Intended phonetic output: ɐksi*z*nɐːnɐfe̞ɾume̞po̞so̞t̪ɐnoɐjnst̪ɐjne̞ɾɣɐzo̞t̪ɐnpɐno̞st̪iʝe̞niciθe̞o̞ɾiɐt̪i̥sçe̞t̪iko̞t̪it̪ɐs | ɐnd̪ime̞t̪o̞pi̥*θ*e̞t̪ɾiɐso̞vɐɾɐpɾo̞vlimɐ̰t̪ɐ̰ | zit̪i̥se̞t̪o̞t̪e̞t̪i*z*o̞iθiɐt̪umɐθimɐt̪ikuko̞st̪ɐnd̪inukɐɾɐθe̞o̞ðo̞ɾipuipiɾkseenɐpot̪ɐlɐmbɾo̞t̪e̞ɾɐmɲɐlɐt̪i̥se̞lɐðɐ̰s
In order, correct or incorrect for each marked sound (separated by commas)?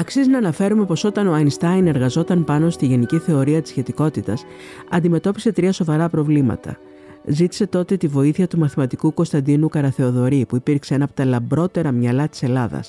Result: correct, incorrect, incorrect